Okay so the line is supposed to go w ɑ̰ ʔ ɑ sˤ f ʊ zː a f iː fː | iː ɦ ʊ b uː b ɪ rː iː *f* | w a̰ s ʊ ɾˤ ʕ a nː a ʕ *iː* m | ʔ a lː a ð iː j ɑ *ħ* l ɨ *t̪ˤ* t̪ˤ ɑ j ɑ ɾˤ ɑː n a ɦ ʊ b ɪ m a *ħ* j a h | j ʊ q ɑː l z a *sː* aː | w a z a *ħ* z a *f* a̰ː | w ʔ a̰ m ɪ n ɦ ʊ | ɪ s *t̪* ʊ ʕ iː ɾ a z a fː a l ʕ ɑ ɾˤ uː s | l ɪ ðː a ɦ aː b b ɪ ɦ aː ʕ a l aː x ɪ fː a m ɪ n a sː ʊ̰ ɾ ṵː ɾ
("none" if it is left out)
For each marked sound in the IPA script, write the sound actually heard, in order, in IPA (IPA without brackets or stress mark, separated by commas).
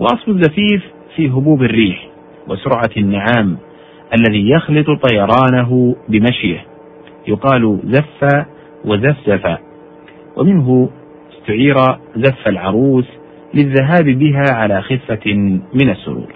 ħ, aː, x, t̪ˤ, ʃ, fː, f, f, t̪